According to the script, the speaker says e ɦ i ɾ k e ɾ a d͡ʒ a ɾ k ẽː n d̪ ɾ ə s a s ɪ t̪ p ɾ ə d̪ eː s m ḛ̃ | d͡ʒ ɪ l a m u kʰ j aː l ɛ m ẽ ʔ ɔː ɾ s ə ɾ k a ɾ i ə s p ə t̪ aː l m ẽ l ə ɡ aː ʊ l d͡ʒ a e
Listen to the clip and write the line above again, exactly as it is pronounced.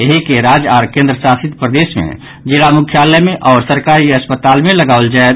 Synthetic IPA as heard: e ɦ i k e ɾ a d͡ʒ a ɾ k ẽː n d̪ ɾ ə s a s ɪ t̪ p ɾ ə d̪ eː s m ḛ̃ | d͡ʒ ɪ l a m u kʰ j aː l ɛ m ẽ ʔ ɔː ɾ s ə ɾ k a ɾ i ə s p ə t̪ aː l m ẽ l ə ɡ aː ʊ l d͡ʒ a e